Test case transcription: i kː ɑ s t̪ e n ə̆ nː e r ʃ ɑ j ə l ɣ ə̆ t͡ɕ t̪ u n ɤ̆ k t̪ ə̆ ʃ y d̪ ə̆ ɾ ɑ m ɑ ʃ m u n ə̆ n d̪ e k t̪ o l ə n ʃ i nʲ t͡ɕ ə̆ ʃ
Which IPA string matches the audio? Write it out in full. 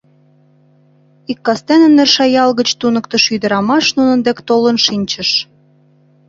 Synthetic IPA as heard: i kː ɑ s t̪ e n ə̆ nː e r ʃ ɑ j ɑ l ɣ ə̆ t͡ɕ t̪ u n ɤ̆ k t̪ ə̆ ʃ y d̪ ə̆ ɾ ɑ m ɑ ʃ n u n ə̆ n d̪ e k t̪ o l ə n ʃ i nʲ t͡ɕ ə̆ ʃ

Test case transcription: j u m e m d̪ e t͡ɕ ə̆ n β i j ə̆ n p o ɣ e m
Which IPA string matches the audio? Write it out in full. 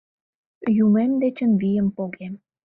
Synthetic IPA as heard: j u m e m d̪ e t͡ɕ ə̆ n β i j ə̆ m p o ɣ e m

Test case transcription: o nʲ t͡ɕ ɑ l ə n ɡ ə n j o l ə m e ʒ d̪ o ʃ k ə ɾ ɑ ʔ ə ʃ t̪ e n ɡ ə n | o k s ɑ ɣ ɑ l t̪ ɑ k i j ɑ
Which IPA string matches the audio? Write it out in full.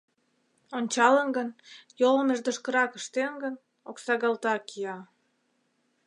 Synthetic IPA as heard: o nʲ t͡ɕ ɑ l ə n ɡ ə n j o l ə m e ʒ d̪ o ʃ k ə ɾ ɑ k ə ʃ t̪ e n ɡ ə n | o k s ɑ ɣ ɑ l t̪ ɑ k i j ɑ

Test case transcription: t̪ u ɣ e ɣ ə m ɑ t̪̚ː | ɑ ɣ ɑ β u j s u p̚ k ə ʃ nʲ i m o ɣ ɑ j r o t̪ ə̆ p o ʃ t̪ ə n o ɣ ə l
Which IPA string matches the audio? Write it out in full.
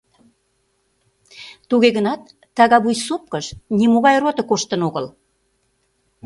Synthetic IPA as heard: t̪ u ɣ e ɣ ə n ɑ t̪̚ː | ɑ ɣ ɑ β u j s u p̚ k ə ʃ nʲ i m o ɣ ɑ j r o t̪ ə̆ k o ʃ t̪ ə n o ɣ ə l

